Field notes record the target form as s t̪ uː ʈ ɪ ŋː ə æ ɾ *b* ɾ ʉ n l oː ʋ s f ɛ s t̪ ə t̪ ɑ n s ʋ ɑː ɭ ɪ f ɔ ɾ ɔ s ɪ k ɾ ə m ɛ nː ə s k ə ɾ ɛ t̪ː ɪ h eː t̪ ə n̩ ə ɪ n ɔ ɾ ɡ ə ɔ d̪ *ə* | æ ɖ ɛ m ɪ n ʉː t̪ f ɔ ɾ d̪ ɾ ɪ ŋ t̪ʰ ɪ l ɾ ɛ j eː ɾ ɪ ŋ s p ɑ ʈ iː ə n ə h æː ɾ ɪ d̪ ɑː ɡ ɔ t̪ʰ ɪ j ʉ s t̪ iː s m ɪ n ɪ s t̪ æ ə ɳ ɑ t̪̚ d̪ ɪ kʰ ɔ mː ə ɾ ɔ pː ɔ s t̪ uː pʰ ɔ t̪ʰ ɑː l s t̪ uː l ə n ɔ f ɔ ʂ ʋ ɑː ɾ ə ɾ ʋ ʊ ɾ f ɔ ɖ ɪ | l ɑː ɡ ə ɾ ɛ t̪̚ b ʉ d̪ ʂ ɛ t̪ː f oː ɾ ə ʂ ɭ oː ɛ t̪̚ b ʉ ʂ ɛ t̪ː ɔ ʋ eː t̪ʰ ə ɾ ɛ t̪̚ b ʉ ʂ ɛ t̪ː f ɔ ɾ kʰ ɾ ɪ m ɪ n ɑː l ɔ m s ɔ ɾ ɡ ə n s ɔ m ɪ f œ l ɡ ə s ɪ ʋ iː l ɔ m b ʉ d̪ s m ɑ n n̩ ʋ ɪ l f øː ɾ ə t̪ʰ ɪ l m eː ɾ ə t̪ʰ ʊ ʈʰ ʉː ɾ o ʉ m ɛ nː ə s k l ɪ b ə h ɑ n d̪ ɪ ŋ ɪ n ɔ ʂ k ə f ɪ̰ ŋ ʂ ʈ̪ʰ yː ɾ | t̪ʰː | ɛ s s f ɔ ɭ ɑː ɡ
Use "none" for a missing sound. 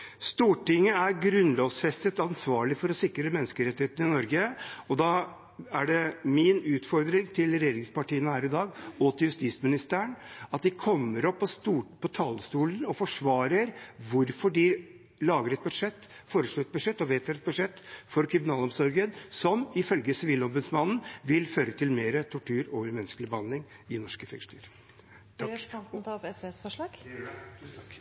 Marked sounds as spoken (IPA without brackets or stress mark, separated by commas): ɡ, ɑ